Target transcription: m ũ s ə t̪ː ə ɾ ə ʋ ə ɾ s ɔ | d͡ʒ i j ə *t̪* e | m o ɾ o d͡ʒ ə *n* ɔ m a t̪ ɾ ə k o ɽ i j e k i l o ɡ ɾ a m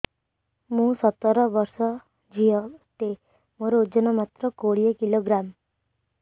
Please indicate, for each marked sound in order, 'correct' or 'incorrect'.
correct, correct

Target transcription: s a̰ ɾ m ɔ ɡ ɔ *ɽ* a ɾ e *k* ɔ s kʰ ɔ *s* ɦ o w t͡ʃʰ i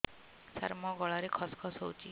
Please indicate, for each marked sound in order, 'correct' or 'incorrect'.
incorrect: ɭ, incorrect: kʰ, correct

